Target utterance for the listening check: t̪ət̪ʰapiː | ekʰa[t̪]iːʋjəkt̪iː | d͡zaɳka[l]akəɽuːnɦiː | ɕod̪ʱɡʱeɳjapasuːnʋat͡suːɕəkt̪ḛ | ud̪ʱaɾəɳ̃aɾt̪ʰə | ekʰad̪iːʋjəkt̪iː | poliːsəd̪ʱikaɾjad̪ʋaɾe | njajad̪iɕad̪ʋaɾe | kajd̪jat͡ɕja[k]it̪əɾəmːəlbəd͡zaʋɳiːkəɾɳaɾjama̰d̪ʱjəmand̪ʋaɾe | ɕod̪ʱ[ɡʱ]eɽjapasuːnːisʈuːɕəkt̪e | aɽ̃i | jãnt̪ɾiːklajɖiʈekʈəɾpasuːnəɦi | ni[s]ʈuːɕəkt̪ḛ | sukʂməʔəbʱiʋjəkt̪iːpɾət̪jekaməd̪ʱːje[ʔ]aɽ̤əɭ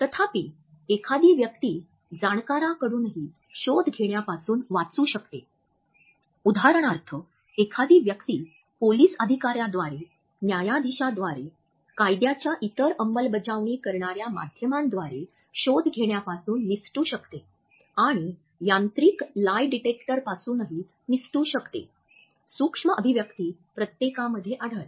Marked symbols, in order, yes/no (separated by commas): no, no, no, yes, yes, yes